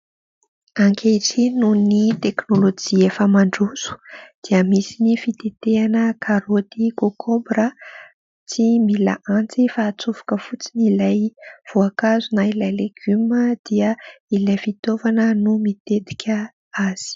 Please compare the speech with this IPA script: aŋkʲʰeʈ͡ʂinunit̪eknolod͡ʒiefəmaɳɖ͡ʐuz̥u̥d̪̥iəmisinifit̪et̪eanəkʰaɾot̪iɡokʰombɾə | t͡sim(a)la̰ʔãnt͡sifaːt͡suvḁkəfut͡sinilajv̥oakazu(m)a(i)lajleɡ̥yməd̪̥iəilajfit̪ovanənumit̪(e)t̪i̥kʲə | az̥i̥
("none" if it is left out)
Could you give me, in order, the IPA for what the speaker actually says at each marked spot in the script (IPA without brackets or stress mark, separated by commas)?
i, n, i, e